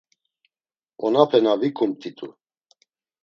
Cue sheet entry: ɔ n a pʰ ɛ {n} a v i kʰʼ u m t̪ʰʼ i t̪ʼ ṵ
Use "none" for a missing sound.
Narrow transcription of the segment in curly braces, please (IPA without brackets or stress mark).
n